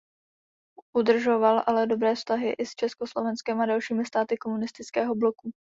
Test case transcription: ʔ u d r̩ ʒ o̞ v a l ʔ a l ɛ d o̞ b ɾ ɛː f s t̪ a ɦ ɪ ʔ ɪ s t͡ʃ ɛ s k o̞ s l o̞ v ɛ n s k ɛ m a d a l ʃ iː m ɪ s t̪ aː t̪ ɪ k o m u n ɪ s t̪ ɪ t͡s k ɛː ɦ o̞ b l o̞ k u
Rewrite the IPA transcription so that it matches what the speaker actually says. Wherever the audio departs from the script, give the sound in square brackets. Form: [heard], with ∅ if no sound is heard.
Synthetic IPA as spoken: ʔ u d r̩ ʒ o̞ v a l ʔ a l ɛ d o̞ b ɾ ɛː f s t̪ a ɦ ɪ ʔ ɪ s t͡ʃ ɛ s k o̞ s l o̞ v ɛ n s k ɛ m a d a l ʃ iː m ɪ s t̪ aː t̪ ɪ k o m u n ɪ s t̪ ɪ t͡s k ɛː ɦ o̞ b l o̞ k u